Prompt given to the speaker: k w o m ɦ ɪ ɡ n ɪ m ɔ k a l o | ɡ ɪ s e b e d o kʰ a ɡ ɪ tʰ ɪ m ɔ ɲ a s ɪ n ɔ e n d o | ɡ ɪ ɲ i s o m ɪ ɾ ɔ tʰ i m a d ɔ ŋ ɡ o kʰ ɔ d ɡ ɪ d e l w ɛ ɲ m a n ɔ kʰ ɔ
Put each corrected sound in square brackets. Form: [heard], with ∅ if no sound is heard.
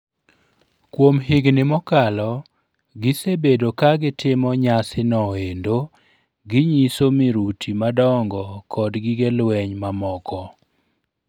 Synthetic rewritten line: k w o m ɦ ɪ ɡ n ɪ m ɔ k a l [ɔ] | ɡ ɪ s e b e d o [k] a ɡ ɪ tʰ ɪ m ɔ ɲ a s ɪ n ɔ e n d o | ɡ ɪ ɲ i s o m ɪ ɾ [u] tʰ i m a d ɔ ŋ ɡ [ɔ] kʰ ɔ d ɡ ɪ [ɡ] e l w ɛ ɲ m a [m] ɔ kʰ ɔ